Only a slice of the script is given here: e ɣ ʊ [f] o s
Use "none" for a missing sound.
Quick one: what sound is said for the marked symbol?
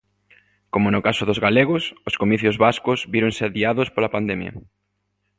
s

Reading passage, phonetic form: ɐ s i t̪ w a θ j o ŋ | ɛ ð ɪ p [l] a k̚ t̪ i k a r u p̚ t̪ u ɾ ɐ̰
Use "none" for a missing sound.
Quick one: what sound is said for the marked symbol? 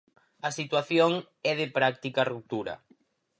ɾ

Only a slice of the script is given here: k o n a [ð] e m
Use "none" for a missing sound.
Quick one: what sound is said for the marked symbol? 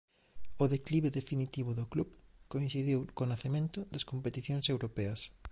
θ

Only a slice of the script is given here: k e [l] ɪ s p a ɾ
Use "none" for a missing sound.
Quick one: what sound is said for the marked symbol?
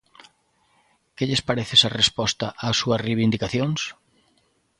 ʎ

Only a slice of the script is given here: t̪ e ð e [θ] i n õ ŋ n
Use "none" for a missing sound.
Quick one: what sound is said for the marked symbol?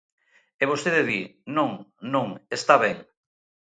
ð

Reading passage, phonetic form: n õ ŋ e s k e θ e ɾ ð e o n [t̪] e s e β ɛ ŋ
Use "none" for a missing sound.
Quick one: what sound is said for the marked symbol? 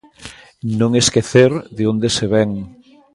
d̪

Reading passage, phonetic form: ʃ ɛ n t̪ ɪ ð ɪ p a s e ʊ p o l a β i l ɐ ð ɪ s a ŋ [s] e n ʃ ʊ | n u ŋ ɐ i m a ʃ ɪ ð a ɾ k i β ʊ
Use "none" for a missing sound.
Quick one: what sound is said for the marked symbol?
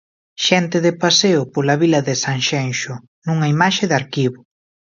ʃ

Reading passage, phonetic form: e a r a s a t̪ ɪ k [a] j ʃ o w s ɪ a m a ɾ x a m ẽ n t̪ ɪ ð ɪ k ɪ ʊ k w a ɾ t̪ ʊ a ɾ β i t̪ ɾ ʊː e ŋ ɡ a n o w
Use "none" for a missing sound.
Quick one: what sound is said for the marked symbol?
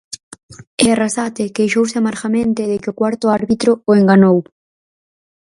e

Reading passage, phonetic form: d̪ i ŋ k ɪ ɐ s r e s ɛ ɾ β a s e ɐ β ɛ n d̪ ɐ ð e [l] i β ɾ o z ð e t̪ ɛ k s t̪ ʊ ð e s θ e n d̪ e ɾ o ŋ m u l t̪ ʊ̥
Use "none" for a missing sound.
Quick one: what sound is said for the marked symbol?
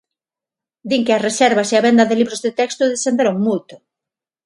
l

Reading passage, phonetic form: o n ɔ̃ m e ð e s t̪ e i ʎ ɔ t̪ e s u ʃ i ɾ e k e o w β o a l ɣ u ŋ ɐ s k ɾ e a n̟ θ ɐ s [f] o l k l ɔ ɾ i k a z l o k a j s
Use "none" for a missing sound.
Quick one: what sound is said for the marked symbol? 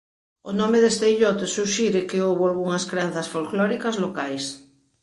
f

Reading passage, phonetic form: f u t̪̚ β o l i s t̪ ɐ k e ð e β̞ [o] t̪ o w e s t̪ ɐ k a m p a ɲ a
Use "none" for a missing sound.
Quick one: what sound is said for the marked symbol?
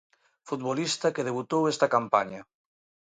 u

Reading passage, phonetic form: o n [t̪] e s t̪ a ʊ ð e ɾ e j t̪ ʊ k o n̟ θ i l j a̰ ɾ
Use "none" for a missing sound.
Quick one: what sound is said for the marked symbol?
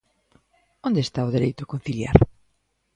d̪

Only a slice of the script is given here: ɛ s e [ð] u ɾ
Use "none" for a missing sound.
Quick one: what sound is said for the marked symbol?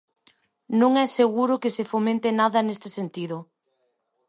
ɣ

